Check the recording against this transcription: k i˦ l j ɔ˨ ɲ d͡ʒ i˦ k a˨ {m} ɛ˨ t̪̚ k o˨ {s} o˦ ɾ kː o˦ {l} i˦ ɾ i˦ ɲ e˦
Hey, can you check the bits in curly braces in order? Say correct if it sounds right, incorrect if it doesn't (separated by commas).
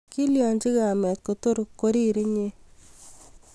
correct, incorrect, incorrect